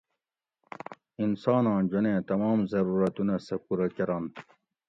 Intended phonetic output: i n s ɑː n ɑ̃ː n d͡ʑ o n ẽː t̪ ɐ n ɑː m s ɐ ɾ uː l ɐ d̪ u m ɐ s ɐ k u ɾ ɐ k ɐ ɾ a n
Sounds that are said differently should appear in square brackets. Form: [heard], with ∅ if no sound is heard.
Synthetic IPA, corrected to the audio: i n s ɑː n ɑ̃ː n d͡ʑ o n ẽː t̪ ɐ [m] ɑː m [z] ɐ ɾ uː [ɾ] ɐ [t̪] u [n] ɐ s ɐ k u ɾ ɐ k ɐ ɾ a n